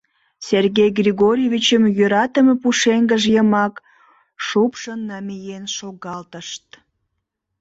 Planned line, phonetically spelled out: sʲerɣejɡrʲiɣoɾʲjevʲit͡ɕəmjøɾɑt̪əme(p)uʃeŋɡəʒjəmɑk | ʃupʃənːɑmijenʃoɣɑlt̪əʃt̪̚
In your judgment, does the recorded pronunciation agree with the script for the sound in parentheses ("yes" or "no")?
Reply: yes